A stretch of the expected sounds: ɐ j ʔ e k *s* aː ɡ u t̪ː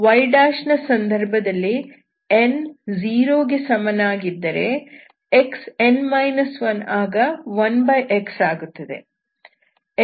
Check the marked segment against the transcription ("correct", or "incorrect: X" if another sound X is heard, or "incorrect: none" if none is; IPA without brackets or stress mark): correct